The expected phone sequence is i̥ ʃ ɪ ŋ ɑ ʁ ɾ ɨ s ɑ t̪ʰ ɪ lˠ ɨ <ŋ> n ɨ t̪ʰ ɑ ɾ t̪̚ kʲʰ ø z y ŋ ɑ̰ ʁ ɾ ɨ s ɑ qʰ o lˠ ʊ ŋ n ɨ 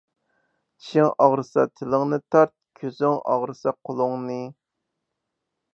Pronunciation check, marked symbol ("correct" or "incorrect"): correct